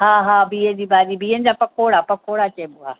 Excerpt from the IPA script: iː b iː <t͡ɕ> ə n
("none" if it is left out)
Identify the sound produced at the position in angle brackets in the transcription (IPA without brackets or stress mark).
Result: none